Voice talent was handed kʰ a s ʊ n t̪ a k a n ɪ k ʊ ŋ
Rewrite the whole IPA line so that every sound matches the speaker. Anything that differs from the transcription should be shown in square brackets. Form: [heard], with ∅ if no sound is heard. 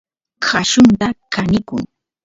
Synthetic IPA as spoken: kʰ a [ʃ] ʊ n t̪ a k a n ɪ k ʊ ŋ